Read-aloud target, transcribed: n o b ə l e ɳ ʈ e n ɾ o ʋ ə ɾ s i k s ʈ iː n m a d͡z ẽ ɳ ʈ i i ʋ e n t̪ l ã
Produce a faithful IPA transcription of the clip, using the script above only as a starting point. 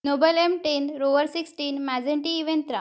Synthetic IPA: n o b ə l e m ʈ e n ɾ o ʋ ə ɾ s i k s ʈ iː n m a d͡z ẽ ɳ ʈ i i ʋ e n t̪ ɾ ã